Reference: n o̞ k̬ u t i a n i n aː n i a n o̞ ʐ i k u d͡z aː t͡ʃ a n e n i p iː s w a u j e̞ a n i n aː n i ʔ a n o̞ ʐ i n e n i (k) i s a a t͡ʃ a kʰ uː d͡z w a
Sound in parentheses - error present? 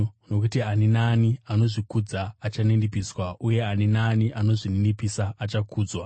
yes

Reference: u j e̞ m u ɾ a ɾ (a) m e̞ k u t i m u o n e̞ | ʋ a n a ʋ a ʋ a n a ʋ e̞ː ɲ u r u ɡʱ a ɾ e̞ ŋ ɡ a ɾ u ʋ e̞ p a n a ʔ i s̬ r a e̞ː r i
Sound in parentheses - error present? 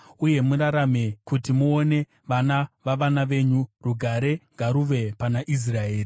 no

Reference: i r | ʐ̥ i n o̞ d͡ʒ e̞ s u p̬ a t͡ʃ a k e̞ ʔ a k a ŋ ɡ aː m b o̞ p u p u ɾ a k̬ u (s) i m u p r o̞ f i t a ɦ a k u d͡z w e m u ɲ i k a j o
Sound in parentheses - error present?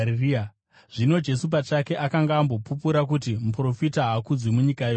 yes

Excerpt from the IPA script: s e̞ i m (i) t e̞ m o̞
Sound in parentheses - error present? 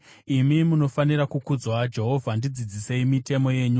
no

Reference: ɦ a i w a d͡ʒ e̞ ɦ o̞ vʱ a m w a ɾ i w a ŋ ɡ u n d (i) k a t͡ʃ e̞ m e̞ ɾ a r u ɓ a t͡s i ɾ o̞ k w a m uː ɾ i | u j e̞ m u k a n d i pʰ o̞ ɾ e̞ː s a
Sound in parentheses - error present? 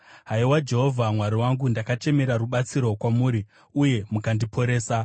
yes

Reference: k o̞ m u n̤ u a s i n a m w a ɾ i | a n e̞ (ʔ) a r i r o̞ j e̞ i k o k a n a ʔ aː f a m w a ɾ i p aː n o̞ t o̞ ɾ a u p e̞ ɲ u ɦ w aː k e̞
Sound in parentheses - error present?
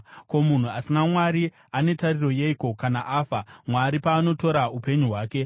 yes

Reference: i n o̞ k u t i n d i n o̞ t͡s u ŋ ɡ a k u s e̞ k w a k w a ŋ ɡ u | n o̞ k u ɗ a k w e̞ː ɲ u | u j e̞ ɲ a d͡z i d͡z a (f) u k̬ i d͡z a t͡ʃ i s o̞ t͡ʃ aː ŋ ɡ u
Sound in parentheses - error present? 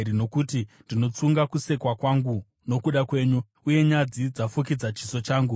no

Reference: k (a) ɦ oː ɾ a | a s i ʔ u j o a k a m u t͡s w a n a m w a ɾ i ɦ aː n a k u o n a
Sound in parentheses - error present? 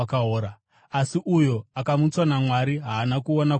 no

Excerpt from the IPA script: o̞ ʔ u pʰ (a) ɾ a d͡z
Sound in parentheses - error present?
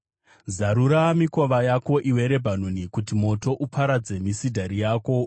no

